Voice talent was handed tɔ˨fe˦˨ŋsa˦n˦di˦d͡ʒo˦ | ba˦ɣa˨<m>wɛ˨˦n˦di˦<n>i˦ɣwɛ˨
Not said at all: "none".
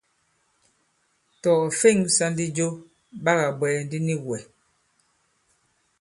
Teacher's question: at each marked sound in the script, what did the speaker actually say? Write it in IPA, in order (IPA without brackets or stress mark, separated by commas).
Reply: b, n